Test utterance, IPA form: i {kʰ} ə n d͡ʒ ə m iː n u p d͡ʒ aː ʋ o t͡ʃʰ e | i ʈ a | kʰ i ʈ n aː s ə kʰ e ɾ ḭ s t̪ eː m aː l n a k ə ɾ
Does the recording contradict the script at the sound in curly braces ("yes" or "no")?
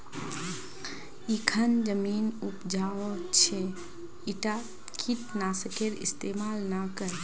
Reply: no